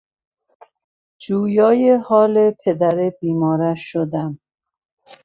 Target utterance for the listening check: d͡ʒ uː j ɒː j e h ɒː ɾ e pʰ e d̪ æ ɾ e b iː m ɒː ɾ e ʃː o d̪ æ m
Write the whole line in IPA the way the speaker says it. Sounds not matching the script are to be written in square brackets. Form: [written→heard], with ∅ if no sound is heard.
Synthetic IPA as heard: d͡ʒ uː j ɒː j e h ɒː [ɾ→l] e pʰ e d̪ æ ɾ e b iː m ɒː ɾ [e→æ] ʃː o d̪ æ m